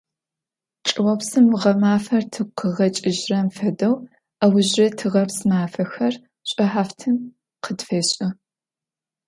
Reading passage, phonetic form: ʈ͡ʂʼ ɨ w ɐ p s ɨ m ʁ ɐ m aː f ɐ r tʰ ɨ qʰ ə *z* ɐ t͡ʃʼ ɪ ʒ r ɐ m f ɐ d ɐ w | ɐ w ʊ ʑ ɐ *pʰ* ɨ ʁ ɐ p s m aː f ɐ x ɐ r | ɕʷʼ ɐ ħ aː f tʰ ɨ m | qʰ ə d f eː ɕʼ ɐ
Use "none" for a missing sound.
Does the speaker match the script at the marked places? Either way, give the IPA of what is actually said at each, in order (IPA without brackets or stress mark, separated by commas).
ʁ, tʰ